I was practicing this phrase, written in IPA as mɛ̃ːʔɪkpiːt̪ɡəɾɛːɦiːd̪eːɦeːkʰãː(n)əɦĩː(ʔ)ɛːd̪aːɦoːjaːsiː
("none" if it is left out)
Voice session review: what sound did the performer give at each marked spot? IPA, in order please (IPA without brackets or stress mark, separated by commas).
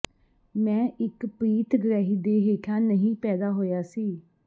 n, p